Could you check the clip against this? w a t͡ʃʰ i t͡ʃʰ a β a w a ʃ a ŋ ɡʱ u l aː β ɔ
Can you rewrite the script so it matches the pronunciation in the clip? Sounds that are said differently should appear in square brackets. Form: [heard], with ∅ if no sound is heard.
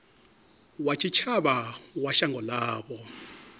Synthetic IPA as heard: w a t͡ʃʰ i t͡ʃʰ a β a w a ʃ a ŋ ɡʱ [ɔ] l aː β ɔ